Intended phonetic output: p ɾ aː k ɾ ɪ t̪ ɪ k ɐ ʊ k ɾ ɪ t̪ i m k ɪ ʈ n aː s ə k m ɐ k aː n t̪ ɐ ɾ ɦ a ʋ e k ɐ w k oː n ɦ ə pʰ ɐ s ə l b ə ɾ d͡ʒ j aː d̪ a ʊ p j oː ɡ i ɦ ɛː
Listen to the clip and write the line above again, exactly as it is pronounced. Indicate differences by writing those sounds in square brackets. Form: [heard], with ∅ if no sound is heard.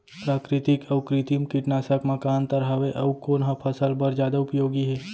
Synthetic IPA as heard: p ɾ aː k ɾ ɪ t̪ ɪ k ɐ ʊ k ɾ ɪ t̪ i m k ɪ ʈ n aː s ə k m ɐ k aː n t̪ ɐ ɾ ɦ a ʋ e [ʔ] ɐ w k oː n ɦ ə pʰ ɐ s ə l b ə ɾ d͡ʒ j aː d̪ a ʊ p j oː ɡ i ɦ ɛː